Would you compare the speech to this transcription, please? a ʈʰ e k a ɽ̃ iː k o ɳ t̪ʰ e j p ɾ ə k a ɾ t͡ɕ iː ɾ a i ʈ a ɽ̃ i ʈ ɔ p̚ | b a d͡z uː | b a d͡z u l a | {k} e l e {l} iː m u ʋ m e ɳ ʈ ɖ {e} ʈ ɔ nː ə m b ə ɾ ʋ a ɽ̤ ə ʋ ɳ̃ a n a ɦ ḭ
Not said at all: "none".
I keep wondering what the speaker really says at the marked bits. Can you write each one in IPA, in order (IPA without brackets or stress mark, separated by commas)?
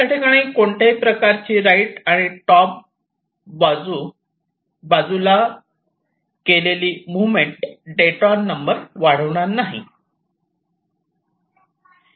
k, l, e